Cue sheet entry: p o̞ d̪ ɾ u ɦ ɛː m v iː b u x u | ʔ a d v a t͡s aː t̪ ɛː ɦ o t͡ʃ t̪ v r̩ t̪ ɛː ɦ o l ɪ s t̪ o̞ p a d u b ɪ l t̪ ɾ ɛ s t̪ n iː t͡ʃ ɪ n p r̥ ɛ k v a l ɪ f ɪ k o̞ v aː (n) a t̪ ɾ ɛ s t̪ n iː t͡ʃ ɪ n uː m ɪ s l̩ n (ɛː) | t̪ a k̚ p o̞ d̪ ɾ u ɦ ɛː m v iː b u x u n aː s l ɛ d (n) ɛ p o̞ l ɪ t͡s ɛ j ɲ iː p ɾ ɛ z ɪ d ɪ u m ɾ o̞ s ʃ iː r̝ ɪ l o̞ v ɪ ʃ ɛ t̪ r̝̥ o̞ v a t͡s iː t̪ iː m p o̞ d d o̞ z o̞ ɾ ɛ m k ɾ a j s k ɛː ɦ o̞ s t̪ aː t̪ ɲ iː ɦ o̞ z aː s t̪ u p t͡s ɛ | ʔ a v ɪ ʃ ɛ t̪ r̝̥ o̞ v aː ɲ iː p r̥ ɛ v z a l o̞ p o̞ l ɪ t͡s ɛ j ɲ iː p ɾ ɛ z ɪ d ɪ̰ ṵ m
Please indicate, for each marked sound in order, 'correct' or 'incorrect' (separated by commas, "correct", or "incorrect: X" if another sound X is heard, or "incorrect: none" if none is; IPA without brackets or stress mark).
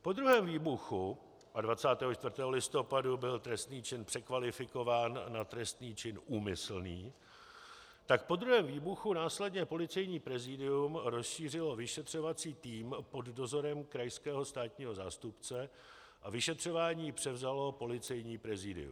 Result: incorrect: nː, incorrect: iː, incorrect: ɲ